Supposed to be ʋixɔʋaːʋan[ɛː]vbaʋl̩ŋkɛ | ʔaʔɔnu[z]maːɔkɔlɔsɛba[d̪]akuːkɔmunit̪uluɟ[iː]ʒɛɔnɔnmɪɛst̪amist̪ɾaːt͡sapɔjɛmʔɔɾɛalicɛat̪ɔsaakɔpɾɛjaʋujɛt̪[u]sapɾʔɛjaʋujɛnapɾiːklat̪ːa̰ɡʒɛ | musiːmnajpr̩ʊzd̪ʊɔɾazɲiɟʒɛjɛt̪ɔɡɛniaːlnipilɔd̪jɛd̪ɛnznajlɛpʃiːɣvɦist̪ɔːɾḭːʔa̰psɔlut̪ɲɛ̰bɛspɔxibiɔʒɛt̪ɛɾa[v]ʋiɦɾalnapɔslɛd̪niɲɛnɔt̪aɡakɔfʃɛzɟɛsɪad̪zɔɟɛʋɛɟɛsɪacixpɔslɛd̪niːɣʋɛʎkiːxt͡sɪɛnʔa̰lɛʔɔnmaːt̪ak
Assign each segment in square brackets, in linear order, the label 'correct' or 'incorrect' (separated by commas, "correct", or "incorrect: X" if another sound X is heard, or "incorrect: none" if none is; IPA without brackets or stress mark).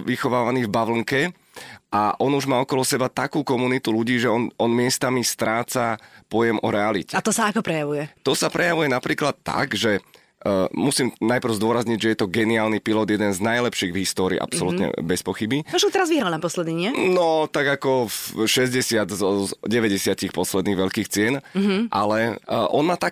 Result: incorrect: iː, incorrect: ʒ, incorrect: t̪, correct, incorrect: ɔ, incorrect: z